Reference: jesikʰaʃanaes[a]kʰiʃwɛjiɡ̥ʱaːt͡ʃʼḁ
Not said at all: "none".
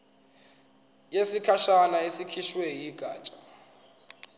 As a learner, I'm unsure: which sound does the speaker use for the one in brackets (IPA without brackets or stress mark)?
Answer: i